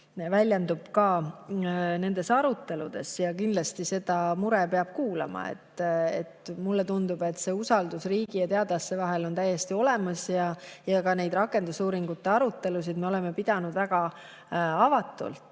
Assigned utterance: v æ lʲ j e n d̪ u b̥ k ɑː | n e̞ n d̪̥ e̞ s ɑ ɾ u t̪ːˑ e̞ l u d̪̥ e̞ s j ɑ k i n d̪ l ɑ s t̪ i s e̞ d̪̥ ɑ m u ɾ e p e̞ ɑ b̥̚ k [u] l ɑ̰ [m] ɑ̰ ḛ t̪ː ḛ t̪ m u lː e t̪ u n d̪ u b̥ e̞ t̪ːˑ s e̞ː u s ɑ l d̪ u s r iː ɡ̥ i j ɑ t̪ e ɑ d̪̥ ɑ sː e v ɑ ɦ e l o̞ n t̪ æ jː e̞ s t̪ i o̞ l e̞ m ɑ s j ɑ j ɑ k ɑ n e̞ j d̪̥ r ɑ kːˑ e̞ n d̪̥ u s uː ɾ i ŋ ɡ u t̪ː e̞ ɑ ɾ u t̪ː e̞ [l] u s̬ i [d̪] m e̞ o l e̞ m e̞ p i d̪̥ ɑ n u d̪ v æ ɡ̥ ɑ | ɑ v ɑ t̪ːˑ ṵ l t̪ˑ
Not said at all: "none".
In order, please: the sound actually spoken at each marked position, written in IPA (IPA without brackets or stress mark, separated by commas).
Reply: uː, m, l, d̪